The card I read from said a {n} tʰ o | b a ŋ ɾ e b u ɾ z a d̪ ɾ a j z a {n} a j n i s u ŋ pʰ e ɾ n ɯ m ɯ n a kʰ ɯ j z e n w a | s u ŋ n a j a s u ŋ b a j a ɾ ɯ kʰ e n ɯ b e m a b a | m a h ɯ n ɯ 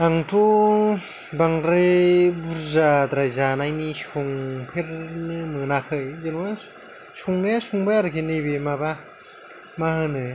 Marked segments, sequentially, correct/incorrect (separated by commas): incorrect, correct